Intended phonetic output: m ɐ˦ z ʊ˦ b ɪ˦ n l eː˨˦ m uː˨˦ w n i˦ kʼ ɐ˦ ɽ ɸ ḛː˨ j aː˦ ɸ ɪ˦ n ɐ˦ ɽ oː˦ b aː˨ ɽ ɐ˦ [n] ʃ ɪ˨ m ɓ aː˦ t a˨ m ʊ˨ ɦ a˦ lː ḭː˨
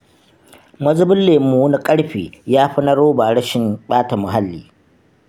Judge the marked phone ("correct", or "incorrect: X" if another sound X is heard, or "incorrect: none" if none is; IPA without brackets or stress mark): incorrect: none